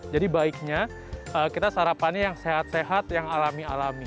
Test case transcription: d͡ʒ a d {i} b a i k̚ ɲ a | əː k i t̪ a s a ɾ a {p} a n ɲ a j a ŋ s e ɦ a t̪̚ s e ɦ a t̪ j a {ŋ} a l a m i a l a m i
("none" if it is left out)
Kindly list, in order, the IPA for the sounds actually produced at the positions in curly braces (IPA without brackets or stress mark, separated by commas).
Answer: i, p, ŋ